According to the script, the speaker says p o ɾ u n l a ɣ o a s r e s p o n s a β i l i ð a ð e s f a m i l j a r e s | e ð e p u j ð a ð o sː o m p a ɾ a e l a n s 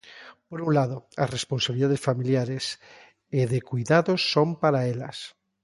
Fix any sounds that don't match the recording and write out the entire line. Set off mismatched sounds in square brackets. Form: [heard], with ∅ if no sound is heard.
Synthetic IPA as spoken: p o ɾ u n l a [ð] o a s r e s p o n s a β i l i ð a ð e s f a m i l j a [ɾ] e s | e ð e [k] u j ð a ð o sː o m p a ɾ a e l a [∅] s